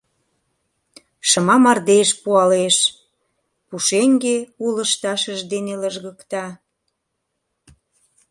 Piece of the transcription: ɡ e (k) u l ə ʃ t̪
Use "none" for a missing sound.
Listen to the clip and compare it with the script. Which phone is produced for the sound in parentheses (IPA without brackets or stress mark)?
none